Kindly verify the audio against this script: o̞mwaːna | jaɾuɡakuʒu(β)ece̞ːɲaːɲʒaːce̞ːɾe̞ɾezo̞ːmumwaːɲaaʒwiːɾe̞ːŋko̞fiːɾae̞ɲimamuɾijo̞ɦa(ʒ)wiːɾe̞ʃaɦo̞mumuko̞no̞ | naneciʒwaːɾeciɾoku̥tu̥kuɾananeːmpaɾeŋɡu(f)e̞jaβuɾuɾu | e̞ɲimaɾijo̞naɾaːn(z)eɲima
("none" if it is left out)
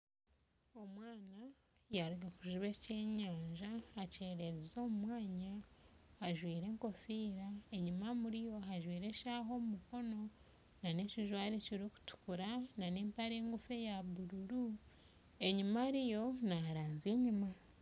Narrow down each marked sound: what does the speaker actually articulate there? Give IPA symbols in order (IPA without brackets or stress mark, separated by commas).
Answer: β, ʒ, f, z